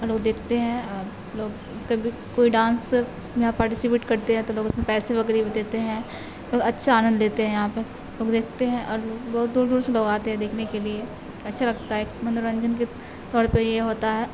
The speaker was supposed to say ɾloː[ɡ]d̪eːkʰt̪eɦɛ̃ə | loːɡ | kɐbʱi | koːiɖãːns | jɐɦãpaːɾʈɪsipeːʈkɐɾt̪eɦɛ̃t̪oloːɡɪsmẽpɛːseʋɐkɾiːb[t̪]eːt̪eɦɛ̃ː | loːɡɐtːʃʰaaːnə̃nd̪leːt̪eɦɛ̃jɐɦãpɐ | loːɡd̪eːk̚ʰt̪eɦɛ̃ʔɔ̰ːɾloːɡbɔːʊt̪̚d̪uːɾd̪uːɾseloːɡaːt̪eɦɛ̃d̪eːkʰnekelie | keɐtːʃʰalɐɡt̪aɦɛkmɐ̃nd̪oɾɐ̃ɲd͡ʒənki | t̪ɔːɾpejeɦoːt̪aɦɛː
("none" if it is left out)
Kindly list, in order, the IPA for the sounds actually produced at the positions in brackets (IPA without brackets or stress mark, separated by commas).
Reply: ɡ, d̪